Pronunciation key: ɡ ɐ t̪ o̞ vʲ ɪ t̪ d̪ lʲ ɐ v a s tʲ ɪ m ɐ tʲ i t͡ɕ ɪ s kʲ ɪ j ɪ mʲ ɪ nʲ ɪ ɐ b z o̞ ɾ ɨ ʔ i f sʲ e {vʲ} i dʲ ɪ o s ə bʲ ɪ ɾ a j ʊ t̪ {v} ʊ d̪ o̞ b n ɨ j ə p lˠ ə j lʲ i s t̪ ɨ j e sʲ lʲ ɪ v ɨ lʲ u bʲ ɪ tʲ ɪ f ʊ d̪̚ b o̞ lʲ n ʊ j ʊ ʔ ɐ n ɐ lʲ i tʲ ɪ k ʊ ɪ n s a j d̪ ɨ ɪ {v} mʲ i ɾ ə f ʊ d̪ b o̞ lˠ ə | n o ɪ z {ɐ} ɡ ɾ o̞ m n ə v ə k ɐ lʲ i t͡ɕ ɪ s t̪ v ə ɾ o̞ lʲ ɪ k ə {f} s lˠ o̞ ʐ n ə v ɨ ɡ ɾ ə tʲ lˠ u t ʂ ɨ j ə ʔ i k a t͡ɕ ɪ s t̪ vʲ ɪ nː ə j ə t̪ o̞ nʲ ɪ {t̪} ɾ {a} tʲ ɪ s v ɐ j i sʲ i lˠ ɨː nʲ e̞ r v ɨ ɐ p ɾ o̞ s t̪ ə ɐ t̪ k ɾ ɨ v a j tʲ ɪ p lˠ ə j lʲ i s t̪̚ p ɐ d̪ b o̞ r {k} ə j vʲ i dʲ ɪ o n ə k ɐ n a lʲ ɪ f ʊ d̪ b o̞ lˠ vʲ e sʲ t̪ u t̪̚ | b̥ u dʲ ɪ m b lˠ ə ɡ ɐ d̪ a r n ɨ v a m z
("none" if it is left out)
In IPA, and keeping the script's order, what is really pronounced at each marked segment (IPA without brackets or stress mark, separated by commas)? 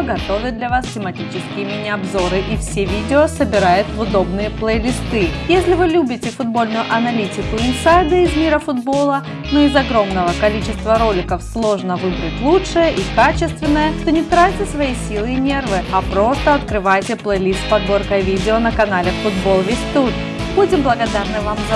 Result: vʲ, v, z, ɐ, f, t̪, a, k